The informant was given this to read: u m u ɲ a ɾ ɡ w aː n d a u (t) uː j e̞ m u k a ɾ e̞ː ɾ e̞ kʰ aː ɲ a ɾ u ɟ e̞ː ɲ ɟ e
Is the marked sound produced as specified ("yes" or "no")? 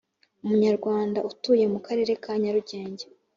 yes